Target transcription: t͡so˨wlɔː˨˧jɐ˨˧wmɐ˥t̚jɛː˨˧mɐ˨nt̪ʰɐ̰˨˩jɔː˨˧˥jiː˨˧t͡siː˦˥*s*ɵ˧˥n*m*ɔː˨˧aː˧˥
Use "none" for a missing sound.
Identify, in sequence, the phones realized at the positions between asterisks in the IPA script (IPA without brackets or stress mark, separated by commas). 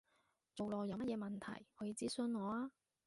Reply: s, ŋ